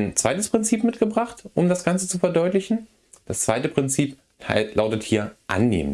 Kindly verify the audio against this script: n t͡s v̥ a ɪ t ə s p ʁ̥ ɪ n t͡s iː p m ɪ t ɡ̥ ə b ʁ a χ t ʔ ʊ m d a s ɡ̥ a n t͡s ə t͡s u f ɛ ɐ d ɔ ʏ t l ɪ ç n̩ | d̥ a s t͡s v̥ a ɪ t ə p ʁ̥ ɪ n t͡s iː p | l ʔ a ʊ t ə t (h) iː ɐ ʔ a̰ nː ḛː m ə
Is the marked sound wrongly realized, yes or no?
no